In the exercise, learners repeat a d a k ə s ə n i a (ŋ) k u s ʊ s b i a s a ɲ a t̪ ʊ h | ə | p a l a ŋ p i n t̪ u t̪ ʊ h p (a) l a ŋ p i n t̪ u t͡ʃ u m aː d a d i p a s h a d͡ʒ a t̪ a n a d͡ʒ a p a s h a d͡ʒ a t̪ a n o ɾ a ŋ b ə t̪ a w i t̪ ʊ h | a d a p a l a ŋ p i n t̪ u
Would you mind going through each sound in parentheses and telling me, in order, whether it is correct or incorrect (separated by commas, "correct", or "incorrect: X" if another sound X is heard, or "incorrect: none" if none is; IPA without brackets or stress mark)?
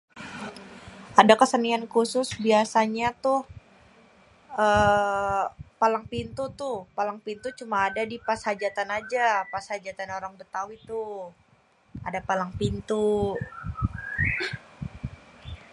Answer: incorrect: n, correct